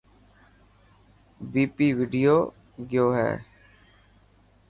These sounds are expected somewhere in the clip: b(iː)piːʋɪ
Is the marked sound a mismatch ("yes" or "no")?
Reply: no